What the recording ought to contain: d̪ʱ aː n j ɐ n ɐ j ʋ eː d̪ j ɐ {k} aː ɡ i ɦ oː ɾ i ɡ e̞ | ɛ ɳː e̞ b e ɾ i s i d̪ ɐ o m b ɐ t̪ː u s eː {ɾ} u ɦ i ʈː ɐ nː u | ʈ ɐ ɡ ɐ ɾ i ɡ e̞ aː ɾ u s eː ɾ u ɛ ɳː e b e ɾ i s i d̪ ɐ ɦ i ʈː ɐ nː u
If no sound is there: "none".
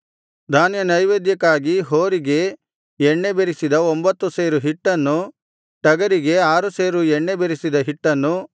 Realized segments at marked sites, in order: k, ɾ

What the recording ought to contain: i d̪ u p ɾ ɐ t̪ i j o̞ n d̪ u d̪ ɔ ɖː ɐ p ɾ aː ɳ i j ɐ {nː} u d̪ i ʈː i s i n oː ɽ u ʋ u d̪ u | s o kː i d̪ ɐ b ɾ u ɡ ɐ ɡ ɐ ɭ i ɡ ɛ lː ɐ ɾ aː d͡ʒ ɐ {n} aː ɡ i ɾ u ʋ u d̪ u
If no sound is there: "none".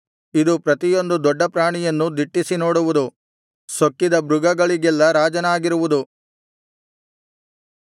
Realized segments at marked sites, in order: nː, n

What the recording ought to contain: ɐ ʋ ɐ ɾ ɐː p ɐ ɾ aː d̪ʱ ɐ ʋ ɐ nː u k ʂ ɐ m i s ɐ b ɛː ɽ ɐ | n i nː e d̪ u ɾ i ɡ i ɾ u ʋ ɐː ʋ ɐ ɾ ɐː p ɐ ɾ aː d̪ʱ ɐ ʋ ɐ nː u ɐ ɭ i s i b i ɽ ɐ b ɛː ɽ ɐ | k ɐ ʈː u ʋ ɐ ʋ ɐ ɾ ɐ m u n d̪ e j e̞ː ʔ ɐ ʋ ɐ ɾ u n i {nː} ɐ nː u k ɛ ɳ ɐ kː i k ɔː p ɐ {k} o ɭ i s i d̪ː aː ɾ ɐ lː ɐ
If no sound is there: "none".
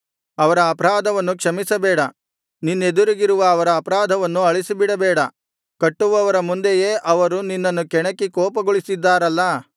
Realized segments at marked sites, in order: nː, ɡ

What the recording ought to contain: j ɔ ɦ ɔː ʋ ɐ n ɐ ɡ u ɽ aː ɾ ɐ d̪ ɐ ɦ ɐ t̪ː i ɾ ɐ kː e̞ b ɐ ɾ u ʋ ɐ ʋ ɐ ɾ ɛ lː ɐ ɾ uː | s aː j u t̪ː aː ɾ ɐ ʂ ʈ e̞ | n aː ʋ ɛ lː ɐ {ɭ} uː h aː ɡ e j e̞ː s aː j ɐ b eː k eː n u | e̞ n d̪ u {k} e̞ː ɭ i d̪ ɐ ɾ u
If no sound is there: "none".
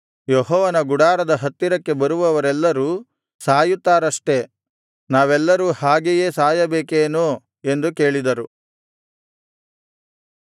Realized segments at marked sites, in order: ɾ, k

